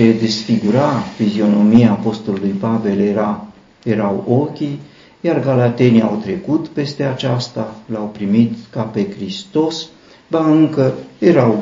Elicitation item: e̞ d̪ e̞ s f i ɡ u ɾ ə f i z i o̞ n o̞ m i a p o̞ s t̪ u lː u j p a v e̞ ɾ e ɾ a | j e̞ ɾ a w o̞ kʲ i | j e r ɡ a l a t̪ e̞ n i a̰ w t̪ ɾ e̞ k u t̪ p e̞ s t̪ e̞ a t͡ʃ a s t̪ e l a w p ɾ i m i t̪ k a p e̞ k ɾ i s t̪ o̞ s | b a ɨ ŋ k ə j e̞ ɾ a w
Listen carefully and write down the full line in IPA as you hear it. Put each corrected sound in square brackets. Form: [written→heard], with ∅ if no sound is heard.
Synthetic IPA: e̞ d̪ e̞ s f i ɡ u ɾ [ə→a] f i z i o̞ n o̞ m i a p o̞ s t̪ u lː u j p a v e̞ [ɾ→l] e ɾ a | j e̞ ɾ a w o̞ kʲ i | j [e→a] r ɡ a l a t̪ e̞ n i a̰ w t̪ ɾ e̞ k u t̪ p e̞ s t̪ e̞ a t͡ʃ a s t̪ [e→a] l a w p ɾ i m i t̪ k a p e̞ k ɾ i s t̪ o̞ s | b a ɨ ŋ k ə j e̞ ɾ a w